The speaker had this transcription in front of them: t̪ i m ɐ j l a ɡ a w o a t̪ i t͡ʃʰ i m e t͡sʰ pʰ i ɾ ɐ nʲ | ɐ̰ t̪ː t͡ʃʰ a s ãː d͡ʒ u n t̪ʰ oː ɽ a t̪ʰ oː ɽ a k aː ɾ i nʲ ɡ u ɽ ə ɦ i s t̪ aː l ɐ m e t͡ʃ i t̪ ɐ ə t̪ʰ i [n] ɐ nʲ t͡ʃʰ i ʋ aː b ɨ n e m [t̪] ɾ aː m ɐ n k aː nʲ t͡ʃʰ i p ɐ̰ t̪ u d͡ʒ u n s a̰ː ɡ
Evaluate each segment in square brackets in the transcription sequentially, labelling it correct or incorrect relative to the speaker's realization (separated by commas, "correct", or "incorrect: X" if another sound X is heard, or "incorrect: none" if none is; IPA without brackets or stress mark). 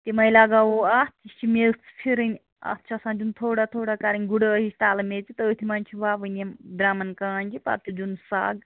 incorrect: m, incorrect: d̪